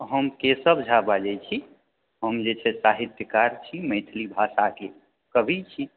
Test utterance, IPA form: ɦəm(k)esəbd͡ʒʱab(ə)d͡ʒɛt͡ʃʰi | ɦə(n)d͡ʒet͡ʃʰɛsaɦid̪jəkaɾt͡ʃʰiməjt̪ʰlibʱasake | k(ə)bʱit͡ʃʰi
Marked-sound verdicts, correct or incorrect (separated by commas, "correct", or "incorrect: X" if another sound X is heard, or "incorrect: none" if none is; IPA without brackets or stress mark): correct, incorrect: a, incorrect: m, correct